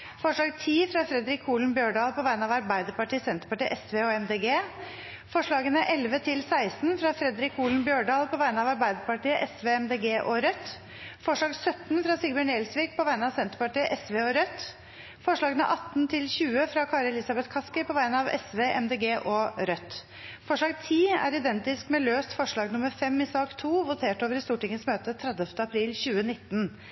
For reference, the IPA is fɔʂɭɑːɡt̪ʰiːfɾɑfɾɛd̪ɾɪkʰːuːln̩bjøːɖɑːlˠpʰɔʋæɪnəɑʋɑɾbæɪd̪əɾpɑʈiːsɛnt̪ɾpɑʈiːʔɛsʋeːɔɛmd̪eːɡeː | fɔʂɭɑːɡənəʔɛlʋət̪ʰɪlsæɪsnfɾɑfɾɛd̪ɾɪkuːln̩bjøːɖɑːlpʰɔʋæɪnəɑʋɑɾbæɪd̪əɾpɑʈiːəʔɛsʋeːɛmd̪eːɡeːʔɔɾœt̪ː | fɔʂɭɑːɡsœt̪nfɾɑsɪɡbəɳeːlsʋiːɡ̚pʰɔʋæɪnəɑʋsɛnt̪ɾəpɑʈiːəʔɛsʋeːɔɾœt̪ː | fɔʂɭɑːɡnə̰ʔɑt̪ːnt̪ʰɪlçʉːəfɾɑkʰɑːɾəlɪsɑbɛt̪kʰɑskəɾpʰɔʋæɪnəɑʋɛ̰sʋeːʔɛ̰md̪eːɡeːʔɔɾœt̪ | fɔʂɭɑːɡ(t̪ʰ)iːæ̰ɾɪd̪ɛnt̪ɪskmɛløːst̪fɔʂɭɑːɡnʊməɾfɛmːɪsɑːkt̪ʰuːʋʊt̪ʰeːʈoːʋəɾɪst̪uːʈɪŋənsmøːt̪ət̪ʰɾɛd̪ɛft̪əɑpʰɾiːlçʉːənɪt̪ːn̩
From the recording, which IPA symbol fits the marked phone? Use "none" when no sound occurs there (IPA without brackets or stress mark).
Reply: t̪ʰ